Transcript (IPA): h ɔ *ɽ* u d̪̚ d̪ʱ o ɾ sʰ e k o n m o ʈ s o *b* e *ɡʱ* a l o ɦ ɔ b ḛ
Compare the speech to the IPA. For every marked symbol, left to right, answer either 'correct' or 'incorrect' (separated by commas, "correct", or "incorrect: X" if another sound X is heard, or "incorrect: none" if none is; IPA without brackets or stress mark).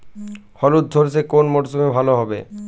incorrect: l, incorrect: m, incorrect: bʱ